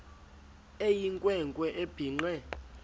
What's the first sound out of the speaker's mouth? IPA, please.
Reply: e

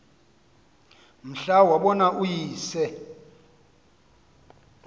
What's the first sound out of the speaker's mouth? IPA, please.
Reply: m̩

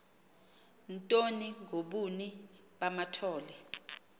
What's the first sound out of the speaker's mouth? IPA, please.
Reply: n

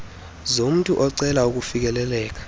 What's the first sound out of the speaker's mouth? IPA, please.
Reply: z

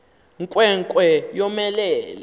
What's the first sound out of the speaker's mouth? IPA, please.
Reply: ŋ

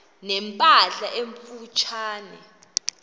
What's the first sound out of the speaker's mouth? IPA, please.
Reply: n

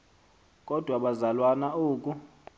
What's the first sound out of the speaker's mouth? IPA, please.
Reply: kʼ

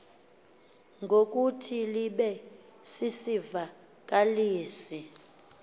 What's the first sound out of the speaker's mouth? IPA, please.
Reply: ŋ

